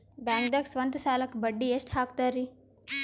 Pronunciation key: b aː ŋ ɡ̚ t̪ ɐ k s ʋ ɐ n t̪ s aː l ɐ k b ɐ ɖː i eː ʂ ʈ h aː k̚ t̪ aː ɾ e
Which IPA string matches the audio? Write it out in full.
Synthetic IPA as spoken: b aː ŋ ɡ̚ d̪ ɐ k s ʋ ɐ n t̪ s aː l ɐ k b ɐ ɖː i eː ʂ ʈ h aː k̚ t̪ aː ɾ i